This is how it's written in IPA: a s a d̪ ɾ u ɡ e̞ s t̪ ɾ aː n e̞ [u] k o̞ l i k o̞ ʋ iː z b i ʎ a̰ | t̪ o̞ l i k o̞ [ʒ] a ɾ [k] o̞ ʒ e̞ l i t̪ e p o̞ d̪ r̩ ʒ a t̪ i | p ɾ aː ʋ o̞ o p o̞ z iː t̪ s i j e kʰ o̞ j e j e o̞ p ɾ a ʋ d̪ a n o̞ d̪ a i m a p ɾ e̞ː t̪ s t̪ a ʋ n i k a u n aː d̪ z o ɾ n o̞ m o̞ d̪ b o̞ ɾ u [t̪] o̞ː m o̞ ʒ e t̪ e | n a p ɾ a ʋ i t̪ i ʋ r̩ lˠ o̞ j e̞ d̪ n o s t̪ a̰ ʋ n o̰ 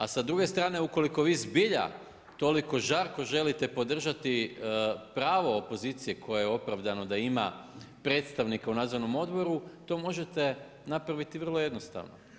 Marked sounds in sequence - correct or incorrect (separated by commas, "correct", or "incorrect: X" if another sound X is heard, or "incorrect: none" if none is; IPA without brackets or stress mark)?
correct, correct, correct, correct